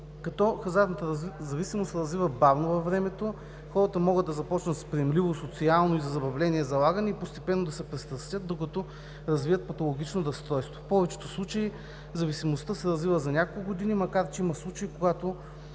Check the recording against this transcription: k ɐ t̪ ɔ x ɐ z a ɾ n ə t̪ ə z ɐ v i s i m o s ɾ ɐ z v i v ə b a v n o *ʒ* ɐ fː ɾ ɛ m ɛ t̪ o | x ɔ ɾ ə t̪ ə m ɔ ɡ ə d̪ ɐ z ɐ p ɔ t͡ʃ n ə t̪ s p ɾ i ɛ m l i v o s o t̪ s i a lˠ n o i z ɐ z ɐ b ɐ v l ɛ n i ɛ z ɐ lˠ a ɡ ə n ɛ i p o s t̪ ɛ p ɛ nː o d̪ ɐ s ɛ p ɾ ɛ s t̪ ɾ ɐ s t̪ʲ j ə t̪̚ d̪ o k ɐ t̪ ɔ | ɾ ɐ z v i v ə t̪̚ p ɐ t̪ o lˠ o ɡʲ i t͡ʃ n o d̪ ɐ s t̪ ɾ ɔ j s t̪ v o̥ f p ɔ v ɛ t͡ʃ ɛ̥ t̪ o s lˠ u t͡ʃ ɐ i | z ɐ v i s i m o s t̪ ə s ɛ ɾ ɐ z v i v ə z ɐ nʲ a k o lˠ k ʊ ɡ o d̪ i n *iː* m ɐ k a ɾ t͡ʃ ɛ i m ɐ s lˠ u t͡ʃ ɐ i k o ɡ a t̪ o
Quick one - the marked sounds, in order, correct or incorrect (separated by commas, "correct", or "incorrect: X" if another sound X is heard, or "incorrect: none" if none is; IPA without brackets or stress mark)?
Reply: incorrect: v, incorrect: i